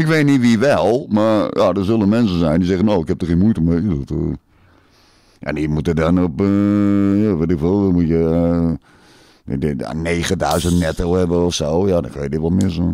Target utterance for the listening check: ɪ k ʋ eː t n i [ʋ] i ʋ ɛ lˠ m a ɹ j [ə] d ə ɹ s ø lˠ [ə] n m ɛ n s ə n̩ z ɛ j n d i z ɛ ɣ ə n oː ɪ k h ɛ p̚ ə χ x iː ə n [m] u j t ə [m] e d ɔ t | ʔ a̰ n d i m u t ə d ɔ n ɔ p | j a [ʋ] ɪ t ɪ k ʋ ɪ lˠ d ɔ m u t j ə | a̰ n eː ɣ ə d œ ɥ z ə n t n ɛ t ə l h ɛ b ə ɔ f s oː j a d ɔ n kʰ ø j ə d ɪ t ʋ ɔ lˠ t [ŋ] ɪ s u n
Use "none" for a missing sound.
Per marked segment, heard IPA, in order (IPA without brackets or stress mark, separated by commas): ʋ, a, ə, m, m, ʋ, m